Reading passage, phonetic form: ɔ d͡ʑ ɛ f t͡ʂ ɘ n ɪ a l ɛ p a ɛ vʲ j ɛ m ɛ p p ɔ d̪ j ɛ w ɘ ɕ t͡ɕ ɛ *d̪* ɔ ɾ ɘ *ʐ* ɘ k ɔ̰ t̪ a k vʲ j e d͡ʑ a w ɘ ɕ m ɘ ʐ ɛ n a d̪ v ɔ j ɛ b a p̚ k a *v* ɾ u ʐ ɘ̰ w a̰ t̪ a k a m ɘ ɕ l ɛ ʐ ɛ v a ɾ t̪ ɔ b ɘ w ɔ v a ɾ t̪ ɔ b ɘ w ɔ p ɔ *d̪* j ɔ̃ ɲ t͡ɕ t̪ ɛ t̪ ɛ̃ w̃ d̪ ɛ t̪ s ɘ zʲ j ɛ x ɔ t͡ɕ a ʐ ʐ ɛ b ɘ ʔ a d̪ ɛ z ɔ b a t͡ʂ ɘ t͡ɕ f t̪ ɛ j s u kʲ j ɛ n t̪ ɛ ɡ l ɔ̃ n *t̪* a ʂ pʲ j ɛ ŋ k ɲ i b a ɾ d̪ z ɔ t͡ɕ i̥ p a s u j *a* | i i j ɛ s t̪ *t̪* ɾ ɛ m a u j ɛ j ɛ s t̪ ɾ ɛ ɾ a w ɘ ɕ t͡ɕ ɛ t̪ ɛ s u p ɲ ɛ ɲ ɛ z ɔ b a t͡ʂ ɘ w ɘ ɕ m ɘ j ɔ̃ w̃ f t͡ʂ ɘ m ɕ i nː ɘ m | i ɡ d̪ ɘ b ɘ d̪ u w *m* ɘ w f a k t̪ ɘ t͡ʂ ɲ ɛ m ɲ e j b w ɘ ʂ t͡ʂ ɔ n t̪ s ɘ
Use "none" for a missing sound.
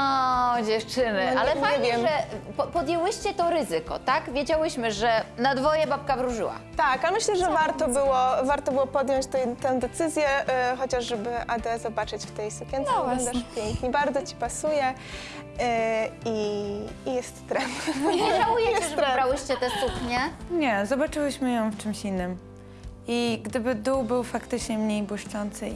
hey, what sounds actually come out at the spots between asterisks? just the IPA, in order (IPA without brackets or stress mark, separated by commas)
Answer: t̪, z, v, d̪, d̪, ɛ, t̪, b